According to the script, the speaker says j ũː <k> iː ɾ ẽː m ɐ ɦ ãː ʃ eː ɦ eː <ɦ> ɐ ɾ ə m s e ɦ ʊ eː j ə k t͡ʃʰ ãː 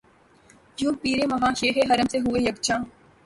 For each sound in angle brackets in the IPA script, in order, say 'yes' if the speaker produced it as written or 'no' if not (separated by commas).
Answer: no, yes